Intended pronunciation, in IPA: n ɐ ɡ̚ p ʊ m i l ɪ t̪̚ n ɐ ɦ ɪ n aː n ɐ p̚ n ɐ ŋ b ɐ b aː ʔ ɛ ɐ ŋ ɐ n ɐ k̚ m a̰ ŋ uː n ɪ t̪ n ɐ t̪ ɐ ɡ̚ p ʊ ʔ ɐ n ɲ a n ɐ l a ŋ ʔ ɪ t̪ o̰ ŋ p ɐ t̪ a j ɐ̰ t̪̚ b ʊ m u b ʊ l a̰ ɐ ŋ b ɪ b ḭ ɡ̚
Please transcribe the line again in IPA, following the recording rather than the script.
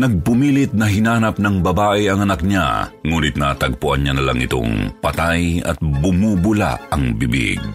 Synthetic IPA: n ɐ ɡ̚ p ʊ m i l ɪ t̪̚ n ɐ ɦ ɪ n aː n ɐ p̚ n ɐ ŋ b ɐ b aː ʔ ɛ ɐ ŋ ɐ n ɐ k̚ ɲ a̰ ŋ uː n ɪ t̪ n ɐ t̪ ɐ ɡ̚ p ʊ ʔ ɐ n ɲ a n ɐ l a ŋ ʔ ɪ t̪ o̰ ŋ p ɐ t̪ a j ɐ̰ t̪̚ b ʊ m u b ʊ l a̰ ɐ ŋ b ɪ b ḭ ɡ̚